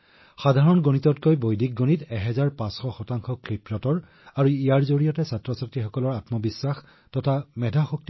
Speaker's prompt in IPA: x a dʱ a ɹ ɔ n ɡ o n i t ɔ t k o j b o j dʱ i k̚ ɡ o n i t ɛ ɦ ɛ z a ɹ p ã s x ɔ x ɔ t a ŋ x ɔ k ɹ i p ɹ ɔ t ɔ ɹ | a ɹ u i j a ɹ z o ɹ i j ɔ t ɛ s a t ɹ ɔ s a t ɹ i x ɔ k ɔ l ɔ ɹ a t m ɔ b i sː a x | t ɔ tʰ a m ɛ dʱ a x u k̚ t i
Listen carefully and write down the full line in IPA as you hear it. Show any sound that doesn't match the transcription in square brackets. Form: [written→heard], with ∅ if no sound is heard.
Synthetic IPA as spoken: x a dʱ a ɹ ɔ n ɡ o n i t ɔ t k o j b o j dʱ i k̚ ɡ o n i t ɛ ɦ ɛ z a ɹ p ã s x ɔ x ɔ t a ŋ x ɔ k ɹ i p ɹ ɔ t ɔ ɹ | a ɹ u i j a ɹ z o ɹ i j ɔ t ɛ s a t ɹ ɔ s a t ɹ i x ɔ k ɔ l ɔ ɹ a t m ɔ b i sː a x | t ɔ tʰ a m ɛ dʱ a x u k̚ t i